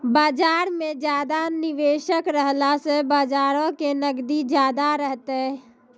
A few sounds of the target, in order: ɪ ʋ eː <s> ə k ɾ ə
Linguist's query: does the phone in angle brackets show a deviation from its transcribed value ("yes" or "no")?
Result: yes